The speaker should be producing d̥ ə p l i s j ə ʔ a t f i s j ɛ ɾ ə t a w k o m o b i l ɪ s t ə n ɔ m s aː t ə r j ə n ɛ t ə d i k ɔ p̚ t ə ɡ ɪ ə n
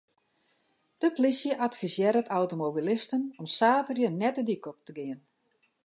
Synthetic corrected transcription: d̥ ə p l i s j ə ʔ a t f i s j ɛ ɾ ə t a w t o m o b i l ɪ s t ə n ɔ m s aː t ə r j ə n ɛ t ə d i k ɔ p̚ t ə ɡ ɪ ə n